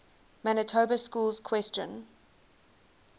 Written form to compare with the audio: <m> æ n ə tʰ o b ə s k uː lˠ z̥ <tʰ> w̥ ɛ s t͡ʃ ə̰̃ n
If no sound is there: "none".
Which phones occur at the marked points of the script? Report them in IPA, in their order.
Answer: m, kʰ

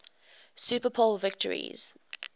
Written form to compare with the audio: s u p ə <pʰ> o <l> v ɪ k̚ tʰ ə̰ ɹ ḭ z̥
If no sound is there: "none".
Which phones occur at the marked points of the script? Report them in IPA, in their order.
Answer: pʰ, l

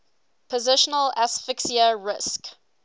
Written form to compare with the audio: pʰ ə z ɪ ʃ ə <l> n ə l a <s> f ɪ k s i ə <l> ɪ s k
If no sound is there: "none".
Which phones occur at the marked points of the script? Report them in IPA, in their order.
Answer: none, s, ɹ

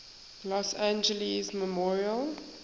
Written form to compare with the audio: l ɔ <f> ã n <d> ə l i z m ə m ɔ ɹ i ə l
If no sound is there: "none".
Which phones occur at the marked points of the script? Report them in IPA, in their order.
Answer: s, d͡ʒ

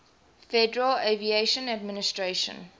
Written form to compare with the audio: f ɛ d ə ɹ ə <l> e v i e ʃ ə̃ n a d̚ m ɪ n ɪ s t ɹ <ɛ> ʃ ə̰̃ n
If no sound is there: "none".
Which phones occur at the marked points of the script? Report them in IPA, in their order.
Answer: l, e

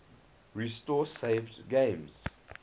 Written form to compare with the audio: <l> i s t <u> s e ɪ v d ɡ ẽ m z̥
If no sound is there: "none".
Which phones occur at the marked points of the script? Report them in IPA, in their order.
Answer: ɹ, ɔ

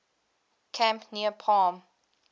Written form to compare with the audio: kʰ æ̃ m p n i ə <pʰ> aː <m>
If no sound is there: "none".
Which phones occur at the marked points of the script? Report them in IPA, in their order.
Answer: pʰ, m

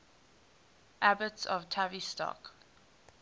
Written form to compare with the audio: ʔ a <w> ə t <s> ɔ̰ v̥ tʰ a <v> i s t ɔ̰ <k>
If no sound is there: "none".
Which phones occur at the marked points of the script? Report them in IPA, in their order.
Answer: b, s, v, k

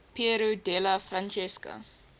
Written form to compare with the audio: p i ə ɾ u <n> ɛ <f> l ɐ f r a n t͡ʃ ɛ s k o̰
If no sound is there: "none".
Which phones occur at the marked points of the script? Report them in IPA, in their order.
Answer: d, none

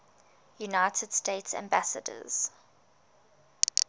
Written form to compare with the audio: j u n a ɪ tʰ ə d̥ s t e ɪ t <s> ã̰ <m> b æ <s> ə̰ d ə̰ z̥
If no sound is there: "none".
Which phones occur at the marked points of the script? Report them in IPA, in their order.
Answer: s, m, s

